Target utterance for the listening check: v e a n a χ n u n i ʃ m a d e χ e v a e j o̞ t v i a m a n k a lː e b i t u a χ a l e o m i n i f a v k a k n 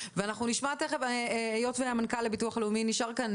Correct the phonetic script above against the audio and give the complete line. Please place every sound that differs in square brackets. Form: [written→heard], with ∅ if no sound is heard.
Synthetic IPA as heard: v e a n a χ n u n i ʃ m a [d→t] e χ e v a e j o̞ t v [i→e] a m a n k a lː e b i t u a χ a l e [o→u] m i n i [f→ʃ] a [v→ʁ] k a [k→∅] n